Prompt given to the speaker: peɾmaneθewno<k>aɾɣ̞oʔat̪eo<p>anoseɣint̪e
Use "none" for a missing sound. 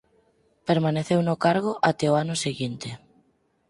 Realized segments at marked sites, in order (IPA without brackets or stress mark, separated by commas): k, none